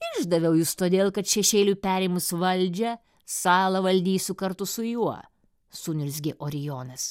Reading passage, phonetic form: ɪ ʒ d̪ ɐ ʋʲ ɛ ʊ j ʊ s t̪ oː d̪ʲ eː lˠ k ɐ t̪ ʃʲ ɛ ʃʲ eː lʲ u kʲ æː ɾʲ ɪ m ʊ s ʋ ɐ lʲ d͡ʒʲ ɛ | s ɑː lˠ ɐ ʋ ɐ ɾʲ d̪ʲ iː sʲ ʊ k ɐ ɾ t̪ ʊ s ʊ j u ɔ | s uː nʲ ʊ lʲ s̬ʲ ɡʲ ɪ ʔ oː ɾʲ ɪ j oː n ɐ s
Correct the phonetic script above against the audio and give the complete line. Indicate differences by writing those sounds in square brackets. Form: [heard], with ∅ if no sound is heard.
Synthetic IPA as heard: ɪ ʒ d̪ ɐ ʋʲ ɛ ʊ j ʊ s t̪ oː d̪ʲ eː lˠ k ɐ t̪ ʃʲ ɛ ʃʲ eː lʲ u [pʲ] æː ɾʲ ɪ m ʊ s ʋ ɐ lʲ d͡ʒʲ ɛ | s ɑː lˠ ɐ ʋ ɐ [lʲ] d̪ʲ iː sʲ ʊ k ɐ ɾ t̪ ʊ s ʊ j u ɔ | s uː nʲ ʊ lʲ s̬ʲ ɡʲ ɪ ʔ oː ɾʲ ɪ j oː n ɐ s